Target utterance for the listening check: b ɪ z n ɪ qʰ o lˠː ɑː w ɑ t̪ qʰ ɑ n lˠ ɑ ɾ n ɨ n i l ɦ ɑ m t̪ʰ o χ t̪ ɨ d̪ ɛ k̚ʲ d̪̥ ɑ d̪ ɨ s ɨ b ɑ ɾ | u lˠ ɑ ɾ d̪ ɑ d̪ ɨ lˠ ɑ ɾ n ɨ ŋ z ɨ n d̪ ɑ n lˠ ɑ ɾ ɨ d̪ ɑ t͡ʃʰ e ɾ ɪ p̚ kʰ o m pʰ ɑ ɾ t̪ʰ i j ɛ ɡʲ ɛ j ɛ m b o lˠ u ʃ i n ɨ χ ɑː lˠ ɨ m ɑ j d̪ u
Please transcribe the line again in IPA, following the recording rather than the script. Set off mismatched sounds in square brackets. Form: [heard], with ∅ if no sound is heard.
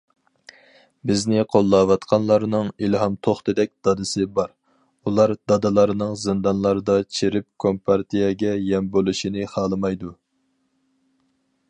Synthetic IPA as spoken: b ɪ z n ɪ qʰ o lˠː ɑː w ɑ t̪ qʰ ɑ n lˠ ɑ ɾ n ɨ [ŋ] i l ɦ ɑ m t̪ʰ o χ t̪ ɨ d̪ ɛ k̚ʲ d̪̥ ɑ d̪ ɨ s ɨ b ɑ ɾ | u lˠ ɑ ɾ d̪ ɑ d̪ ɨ lˠ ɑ ɾ n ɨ ŋ z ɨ n d̪ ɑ n lˠ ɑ ɾ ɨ d̪ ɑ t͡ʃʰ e ɾ ɪ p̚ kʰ o m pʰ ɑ ɾ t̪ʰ i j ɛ ɡʲ ɛ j ɛ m b o lˠ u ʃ i n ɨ χ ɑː lˠ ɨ m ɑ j d̪ u